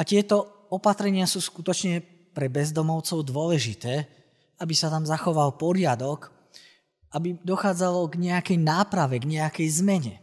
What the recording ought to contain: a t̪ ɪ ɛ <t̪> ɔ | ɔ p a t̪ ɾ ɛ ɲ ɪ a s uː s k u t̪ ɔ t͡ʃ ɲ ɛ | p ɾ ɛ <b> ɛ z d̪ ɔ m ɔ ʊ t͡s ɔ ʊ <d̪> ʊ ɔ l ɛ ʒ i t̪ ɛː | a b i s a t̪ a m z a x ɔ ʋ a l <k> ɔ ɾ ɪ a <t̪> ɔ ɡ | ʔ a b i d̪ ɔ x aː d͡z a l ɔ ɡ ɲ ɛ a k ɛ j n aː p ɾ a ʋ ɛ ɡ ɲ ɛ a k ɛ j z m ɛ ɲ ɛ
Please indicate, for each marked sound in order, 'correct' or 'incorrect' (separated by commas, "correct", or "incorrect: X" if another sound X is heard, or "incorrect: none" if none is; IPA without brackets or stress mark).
correct, correct, correct, incorrect: p, incorrect: d̪